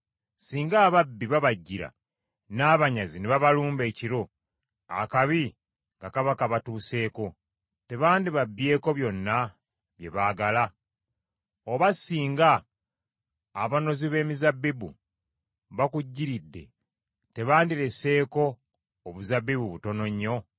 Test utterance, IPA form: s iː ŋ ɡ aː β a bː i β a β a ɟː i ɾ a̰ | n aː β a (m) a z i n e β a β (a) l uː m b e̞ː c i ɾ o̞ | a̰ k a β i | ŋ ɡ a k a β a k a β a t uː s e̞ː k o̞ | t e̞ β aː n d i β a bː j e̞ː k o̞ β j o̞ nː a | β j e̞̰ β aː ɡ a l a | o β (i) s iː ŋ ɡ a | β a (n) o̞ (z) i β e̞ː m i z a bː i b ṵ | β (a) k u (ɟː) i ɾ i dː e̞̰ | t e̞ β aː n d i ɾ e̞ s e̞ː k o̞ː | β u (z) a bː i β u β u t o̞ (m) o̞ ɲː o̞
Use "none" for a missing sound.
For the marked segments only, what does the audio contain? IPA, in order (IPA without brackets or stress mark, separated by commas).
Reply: ɲ, a, a, n, z, a, ɟː, z, n